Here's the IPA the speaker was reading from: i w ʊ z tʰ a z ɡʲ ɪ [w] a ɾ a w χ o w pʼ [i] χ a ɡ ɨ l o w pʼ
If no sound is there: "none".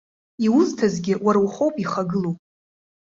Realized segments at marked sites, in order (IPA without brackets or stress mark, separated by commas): w, i